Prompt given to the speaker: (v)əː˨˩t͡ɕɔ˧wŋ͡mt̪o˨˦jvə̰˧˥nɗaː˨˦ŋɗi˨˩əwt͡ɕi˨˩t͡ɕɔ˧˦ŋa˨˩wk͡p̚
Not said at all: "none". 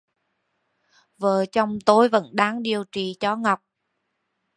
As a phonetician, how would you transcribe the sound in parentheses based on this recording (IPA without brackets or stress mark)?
v